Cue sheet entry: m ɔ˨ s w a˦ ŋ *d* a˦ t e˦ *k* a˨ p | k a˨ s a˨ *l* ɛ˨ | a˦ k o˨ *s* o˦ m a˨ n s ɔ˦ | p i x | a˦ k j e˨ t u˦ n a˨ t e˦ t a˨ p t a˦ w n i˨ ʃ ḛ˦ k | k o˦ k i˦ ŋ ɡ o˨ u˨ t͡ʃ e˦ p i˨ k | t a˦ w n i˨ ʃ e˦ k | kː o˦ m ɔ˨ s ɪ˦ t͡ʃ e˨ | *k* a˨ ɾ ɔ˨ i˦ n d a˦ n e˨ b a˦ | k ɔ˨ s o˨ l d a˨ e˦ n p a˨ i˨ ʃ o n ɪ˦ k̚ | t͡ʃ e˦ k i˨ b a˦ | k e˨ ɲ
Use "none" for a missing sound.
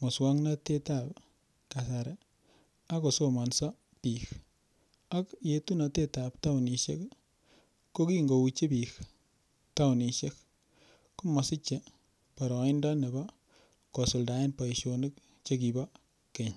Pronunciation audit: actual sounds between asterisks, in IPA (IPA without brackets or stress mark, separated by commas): n, t, ɾ, s, p